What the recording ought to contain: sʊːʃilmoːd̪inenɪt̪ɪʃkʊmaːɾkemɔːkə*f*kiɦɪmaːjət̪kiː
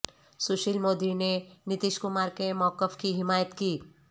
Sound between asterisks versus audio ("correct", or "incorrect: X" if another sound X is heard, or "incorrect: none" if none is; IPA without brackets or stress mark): correct